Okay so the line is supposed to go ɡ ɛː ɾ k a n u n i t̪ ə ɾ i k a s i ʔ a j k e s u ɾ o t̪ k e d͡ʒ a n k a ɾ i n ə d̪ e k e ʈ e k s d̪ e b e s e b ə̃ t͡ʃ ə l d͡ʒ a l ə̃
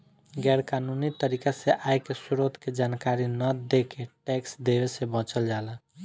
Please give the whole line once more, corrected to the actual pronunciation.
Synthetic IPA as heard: ɡ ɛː ɾ k a n u n i t̪ ə ɾ i k a s e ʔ a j k e s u ɾ o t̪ k e d͡ʒ a n k a ɾ i n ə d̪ e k e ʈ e k s d̪ e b e s e b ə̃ t͡ʃ ə l d͡ʒ a l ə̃